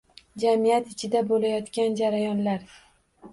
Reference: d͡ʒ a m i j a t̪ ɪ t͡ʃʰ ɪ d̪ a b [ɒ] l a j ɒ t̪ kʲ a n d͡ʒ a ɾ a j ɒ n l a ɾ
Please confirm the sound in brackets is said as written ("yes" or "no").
no